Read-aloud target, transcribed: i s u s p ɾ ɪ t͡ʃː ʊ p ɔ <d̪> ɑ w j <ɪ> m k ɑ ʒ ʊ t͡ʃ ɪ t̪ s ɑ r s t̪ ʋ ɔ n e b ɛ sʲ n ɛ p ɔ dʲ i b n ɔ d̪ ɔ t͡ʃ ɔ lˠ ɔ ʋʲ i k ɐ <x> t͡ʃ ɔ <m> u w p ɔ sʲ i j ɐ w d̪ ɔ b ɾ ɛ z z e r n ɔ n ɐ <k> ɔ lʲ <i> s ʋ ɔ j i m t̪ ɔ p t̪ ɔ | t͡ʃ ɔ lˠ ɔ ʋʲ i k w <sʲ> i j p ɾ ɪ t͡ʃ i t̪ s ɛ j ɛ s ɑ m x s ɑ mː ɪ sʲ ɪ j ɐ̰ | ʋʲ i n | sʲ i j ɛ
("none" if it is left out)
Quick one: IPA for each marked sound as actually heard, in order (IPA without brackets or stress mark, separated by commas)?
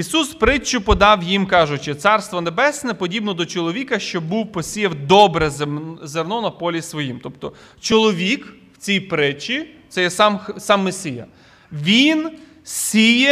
d̪, i, ʃ, b, p, i, t͡sʲ